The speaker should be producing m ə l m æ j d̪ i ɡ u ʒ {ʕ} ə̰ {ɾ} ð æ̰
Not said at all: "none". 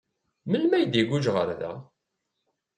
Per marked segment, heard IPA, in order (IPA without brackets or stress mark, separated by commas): ʁ, ɾ